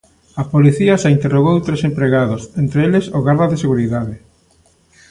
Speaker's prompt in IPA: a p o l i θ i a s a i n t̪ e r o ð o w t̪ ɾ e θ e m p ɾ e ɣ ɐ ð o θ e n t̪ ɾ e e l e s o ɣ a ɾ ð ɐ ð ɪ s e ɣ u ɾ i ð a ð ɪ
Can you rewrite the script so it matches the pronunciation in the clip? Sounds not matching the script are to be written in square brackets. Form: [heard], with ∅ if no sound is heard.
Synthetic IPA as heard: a p o l i θ i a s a i n t̪ e r o [ɣ] o w t̪ ɾ e [s] e m p ɾ e ɣ [a] ð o [s] e n t̪ ɾ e e l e s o ɣ a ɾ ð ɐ ð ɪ s e ɣ u ɾ i ð a ð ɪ